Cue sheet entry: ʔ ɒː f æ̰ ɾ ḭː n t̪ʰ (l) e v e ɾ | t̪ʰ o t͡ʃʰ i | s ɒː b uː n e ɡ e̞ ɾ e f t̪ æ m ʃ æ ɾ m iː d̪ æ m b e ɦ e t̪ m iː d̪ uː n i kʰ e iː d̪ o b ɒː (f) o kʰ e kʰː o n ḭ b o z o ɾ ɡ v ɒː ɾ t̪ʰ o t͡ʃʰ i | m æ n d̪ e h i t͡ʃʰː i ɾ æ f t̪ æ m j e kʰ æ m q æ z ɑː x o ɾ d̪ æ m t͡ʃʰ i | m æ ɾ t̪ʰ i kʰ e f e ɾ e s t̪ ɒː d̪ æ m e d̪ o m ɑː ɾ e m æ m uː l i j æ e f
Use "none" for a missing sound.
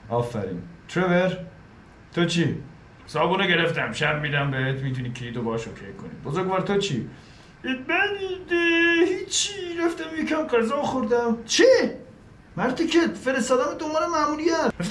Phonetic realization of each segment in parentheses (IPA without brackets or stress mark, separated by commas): ɾ, ʃ